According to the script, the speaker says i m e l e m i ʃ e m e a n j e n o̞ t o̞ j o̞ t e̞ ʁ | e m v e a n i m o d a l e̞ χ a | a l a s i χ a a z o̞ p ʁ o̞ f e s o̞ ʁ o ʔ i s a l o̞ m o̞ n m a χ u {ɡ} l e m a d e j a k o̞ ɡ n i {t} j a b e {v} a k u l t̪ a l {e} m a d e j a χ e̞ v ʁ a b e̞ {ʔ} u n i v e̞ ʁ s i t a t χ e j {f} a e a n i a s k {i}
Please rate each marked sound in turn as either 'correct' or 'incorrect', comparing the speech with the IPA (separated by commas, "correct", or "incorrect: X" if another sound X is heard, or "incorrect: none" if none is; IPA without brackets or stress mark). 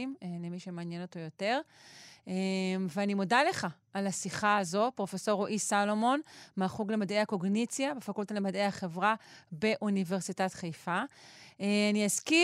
correct, incorrect: t͡s, incorrect: f, correct, correct, correct, correct